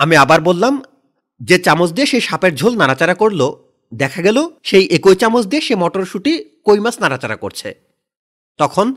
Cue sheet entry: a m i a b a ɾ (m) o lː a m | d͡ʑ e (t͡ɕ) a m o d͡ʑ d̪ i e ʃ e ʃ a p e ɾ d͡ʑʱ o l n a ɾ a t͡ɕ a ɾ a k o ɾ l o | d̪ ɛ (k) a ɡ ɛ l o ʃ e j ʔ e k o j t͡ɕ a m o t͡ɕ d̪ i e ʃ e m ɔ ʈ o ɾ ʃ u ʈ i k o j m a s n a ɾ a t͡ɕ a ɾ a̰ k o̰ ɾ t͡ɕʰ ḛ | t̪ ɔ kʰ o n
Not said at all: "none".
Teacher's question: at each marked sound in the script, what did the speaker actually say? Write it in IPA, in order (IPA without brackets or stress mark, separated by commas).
b, t͡ɕ, kʰ